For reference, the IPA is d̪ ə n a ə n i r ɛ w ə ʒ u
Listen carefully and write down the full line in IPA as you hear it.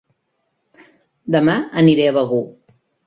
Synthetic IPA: d̪ ə m a ə n i ɾ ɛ β ə ɣ u